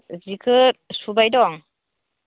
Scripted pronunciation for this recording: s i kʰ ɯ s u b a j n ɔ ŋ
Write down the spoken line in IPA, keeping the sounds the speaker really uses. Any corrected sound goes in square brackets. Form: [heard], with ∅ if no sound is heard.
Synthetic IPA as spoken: [z] i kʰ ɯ s u b a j [d] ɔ ŋ